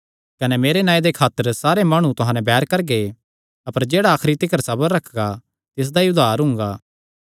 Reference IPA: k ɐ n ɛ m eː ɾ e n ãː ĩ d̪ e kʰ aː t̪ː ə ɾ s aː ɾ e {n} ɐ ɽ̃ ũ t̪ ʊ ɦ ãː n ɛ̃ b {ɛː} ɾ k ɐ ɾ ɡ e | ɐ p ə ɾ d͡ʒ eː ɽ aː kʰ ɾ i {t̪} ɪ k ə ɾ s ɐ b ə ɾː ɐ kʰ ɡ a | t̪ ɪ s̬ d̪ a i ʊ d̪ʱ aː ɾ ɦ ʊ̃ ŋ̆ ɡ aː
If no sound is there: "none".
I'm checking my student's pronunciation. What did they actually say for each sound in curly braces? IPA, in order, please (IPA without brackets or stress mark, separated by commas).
m, ɛː, t̪